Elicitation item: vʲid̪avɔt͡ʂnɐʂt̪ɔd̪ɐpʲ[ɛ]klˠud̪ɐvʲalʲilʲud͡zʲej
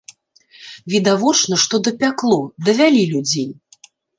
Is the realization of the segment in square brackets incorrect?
yes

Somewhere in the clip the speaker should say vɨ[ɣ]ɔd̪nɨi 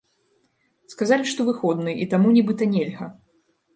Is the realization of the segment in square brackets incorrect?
yes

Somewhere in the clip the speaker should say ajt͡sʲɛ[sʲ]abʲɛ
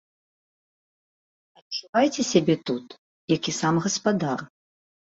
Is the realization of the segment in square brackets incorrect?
no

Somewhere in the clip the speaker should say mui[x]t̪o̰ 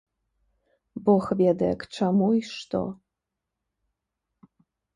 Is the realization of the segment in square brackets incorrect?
yes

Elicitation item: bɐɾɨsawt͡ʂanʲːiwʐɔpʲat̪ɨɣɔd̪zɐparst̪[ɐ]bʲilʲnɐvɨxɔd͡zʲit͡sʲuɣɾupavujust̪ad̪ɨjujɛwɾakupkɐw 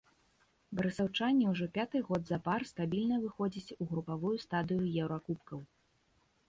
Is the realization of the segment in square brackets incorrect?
yes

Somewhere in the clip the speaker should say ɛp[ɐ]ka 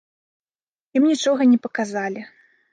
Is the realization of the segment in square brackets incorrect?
no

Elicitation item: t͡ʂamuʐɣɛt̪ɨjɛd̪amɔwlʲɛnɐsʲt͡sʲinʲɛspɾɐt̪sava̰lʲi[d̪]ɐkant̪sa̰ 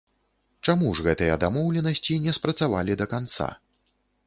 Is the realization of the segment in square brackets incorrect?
no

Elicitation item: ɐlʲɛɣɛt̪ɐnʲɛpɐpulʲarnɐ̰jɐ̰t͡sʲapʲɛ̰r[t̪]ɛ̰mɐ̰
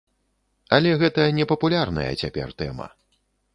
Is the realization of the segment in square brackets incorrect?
no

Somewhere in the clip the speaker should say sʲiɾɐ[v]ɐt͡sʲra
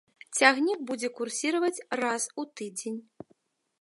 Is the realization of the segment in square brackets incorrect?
no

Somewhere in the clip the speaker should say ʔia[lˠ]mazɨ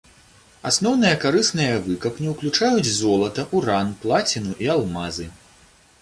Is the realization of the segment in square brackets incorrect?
no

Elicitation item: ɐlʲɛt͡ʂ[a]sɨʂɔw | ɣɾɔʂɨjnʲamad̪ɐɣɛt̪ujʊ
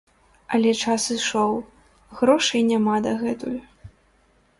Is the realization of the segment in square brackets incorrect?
no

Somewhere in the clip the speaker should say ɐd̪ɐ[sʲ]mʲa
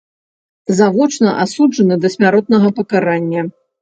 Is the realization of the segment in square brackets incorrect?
no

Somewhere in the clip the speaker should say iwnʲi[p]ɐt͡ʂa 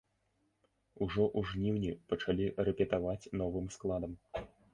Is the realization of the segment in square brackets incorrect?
no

